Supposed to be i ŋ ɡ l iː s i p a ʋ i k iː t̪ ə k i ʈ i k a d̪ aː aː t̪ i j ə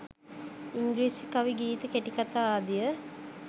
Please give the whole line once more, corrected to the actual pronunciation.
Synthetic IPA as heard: i ŋ ɡ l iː s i k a ʋ i ɡ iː t̪ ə k e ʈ i k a t̪ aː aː d̪ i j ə